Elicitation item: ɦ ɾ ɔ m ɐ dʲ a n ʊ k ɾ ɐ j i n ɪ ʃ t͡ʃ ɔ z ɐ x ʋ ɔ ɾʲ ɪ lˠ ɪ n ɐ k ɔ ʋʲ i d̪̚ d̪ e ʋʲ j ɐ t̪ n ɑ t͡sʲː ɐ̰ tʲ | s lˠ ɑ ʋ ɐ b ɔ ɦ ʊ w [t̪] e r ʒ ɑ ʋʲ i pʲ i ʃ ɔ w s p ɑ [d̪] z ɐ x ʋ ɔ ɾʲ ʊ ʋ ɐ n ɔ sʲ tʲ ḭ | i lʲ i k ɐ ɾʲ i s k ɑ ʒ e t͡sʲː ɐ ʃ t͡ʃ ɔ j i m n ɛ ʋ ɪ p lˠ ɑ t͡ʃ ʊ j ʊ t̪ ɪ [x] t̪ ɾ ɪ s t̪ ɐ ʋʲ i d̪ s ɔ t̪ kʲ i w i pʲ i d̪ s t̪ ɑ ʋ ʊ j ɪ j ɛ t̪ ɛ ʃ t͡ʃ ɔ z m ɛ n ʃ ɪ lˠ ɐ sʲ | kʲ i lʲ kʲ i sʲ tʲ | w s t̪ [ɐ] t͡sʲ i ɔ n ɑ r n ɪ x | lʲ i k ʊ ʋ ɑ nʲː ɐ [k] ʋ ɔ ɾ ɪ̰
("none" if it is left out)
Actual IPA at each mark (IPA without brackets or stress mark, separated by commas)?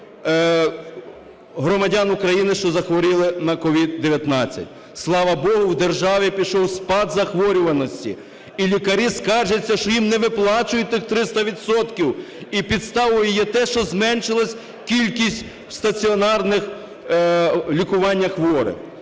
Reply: d̪, d̪, x, ɐ, x